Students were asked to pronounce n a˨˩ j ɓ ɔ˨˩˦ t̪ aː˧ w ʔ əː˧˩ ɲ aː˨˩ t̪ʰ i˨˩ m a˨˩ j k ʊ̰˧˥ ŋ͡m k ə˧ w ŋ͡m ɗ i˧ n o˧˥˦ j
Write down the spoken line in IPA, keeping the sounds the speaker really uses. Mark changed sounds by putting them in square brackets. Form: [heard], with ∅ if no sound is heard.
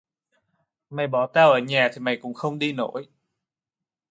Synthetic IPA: [m] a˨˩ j ɓ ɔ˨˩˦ t̪ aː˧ w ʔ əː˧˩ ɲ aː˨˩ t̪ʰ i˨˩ m a˨˩ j k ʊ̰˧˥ ŋ͡m [x] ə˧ w ŋ͡m ɗ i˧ n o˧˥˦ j

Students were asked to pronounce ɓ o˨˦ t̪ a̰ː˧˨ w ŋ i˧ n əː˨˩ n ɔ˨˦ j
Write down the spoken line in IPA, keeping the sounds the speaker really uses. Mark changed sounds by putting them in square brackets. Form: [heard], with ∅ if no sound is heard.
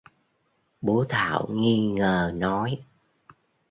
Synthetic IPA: ɓ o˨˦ [t̪ʰ] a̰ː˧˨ w ŋ i˧ [ŋ] əː˨˩ n ɔ˨˦ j

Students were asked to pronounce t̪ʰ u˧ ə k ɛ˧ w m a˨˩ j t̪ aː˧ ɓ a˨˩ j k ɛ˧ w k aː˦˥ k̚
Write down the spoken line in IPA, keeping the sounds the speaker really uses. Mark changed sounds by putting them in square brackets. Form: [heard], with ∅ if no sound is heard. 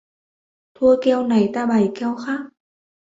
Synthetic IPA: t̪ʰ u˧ ə k ɛ˧ w [n] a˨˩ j t̪ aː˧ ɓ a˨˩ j k ɛ˧ w [x] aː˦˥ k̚

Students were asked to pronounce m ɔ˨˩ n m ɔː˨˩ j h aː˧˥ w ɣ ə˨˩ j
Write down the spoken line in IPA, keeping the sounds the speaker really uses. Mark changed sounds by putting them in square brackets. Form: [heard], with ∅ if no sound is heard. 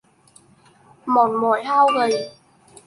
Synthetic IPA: m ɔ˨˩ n m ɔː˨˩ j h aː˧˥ w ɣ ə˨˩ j

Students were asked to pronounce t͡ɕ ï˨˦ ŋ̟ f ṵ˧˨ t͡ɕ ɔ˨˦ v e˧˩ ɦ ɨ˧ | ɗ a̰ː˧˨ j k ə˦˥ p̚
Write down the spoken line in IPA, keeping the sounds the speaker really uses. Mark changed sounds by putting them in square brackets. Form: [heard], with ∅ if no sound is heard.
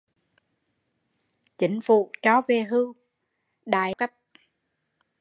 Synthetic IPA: t͡ɕ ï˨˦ ŋ̟ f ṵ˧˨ t͡ɕ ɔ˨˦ v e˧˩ ɦ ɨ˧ | ɗ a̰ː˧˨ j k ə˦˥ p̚

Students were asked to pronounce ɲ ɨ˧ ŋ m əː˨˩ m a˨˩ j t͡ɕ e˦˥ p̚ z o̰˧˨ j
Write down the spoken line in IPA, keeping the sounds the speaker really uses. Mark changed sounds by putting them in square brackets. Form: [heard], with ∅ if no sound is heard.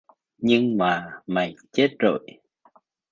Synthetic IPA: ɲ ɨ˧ ŋ m [aː˨˩] m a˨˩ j t͡ɕ e˦˥ [t̚] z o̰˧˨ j

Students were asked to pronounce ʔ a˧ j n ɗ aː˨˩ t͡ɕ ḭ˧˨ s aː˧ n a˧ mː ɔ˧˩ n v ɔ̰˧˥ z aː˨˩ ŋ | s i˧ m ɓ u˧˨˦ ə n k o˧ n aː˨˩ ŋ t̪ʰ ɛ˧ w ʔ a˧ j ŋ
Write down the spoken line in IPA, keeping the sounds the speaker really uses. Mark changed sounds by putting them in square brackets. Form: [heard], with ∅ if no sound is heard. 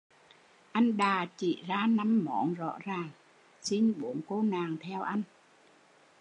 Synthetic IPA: ʔ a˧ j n ɗ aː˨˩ t͡ɕ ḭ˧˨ [z] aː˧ n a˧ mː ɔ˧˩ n [z] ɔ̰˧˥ z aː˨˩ ŋ | s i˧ [n] ɓ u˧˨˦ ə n k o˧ n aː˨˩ ŋ t̪ʰ ɛ˧ w ʔ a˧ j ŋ

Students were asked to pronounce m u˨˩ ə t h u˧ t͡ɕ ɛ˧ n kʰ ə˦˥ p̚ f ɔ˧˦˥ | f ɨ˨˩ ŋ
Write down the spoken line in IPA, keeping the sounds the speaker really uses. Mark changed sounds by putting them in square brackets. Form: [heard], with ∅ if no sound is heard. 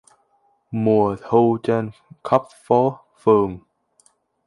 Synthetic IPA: m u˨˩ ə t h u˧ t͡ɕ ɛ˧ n kʰ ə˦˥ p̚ f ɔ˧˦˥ | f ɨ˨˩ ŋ

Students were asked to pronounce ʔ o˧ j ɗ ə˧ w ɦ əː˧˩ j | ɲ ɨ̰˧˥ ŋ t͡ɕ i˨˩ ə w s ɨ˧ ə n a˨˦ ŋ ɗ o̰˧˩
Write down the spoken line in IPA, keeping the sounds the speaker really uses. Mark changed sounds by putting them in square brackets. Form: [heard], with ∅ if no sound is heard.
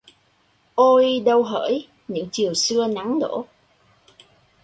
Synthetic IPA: ʔ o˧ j ɗ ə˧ w ɦ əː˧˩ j | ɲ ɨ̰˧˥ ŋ t͡ɕ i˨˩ ə w s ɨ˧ ə n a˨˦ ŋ ɗ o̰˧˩

